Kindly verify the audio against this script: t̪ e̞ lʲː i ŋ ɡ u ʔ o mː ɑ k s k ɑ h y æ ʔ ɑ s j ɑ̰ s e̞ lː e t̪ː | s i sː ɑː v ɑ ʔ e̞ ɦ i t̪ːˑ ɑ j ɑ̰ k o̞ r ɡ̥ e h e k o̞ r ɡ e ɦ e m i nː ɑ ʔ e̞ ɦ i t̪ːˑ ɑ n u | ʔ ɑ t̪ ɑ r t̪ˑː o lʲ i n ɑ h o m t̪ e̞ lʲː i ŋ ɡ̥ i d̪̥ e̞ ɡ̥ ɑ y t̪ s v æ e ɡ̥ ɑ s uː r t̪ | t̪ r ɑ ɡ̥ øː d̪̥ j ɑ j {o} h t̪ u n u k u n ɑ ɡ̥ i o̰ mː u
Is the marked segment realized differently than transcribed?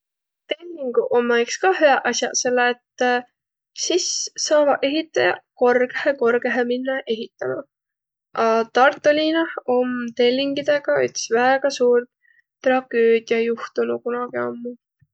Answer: yes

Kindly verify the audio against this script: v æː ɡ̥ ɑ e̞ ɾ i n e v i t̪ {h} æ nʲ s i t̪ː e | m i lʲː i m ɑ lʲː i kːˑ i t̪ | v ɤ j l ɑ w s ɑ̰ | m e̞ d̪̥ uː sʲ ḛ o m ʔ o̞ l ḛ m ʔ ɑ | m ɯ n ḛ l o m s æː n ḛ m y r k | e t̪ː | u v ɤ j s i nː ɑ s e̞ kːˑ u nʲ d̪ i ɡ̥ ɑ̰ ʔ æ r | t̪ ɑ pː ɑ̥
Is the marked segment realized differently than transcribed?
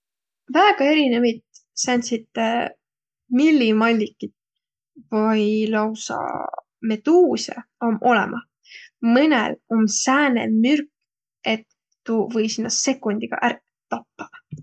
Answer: yes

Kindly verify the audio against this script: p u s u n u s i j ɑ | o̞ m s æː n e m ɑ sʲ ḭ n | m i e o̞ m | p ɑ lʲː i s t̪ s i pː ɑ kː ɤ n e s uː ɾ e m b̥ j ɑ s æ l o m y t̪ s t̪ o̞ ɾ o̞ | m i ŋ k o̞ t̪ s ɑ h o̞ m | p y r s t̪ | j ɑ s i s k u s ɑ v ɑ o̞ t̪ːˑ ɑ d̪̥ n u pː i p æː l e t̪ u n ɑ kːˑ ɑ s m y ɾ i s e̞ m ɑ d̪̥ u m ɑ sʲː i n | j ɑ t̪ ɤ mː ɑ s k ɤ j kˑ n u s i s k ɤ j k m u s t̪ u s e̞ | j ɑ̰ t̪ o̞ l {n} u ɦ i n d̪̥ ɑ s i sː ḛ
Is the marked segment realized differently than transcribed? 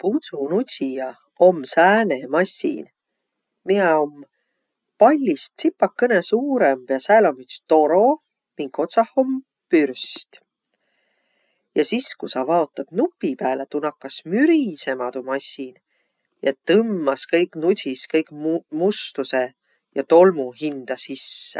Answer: yes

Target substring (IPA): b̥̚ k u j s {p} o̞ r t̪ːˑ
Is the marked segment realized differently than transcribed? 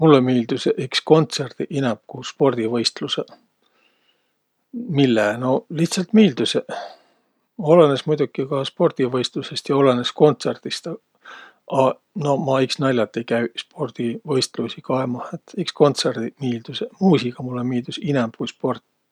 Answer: no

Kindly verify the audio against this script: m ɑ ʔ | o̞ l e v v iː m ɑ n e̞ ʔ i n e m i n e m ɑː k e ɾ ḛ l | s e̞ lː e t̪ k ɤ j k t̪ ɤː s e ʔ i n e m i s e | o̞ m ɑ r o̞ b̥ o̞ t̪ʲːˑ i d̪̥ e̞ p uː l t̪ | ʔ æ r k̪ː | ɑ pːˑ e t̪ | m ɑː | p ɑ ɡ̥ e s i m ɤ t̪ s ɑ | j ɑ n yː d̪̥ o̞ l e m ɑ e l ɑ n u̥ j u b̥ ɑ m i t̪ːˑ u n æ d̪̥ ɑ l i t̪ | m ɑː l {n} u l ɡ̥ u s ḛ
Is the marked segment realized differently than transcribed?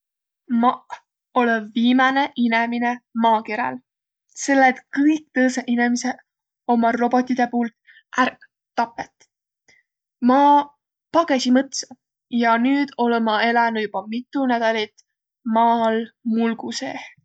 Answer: yes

